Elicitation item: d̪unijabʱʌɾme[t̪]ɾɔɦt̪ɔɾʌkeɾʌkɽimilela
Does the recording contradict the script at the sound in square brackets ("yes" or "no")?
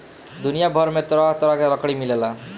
no